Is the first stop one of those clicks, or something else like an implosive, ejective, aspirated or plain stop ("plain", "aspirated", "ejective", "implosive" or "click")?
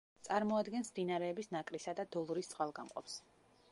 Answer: plain